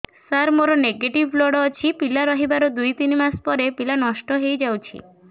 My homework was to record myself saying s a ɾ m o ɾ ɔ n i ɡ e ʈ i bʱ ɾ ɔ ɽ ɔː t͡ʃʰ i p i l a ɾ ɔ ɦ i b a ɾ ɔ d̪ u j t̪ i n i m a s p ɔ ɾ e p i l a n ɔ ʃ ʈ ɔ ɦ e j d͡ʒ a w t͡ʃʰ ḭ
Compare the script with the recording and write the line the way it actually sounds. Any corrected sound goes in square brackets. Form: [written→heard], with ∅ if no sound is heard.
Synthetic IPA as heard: s a ɾ m o ɾ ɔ n [i→e] ɡ e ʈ i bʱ [ɾ→l] ɔ ɽ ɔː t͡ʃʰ i p i l a ɾ ɔ ɦ i b a ɾ ɔ d̪ u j t̪ i n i m a s p ɔ ɾ e p i l a n ɔ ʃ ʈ ɔ ɦ e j d͡ʒ a w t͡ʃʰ ḭ